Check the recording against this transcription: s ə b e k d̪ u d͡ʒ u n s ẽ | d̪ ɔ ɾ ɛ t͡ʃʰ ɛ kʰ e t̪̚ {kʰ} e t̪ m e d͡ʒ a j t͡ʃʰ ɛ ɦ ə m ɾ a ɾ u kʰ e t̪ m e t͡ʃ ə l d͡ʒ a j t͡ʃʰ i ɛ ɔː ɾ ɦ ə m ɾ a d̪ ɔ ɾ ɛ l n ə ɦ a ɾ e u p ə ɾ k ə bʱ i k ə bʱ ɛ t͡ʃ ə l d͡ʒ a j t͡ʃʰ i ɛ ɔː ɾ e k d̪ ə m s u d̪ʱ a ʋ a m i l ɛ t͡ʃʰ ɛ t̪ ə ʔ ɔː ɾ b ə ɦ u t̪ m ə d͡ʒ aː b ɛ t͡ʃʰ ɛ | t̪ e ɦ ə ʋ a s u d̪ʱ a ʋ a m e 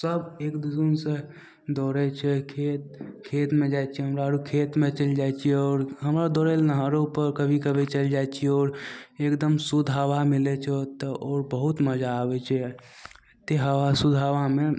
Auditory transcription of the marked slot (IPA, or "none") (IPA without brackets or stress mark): kʰ